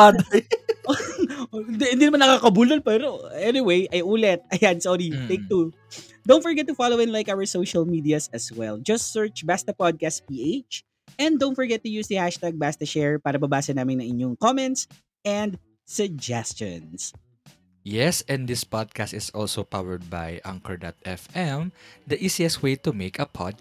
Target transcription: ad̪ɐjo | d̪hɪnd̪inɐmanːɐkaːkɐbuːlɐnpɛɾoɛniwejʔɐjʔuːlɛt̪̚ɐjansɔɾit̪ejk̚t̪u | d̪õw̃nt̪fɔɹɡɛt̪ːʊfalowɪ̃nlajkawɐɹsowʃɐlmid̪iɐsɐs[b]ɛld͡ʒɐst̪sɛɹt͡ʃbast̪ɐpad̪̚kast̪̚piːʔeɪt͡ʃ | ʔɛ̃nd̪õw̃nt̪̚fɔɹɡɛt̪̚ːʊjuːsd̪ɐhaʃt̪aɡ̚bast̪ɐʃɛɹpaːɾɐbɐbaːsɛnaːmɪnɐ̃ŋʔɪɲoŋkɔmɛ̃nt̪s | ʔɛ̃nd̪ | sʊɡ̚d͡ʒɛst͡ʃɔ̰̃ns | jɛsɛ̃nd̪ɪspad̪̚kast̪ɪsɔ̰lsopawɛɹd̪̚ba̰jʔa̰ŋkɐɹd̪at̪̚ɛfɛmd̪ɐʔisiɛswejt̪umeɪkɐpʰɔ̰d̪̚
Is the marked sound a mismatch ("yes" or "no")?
yes